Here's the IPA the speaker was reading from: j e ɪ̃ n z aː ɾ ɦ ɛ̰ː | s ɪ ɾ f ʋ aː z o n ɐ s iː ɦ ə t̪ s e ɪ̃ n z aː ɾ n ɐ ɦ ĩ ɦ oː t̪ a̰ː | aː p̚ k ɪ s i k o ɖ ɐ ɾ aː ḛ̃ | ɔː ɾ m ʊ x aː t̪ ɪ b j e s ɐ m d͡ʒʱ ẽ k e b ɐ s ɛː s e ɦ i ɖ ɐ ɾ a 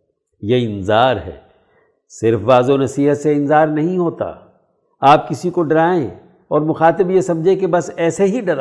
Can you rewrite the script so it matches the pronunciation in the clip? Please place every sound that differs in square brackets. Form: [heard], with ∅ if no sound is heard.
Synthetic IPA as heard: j e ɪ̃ n z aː ɾ ɦ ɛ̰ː | s ɪ ɾ f ʋ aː z o n ɐ s iː ɦ ə t̪ s e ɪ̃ n z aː ɾ n ɐ ɦ ĩ ɦ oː t̪ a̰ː | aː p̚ k ɪ s i k o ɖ ɐ ɾ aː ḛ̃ | ɔː ɾ m ʊ x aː t̪ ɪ b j e s ɐ m d͡ʒʱ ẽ k e b ɐ s ɛː s e ɦ i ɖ ɐ ɾ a